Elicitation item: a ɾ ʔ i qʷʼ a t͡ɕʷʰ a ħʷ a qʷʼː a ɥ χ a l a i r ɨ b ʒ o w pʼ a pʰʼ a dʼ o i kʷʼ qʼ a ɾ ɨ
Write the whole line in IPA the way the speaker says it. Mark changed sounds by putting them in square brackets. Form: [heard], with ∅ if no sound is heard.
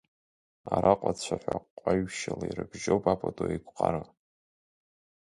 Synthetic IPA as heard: a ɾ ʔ [a] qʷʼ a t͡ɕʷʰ a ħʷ a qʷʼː a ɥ [ʃ] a l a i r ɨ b ʒ o w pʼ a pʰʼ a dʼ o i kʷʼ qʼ a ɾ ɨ